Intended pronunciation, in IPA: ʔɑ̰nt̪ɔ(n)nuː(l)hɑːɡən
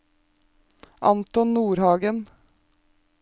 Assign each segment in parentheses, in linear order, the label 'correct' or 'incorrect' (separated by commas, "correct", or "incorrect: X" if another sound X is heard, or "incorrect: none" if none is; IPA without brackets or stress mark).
correct, incorrect: ɾ